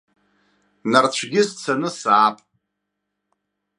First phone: n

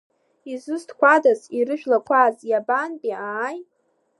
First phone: i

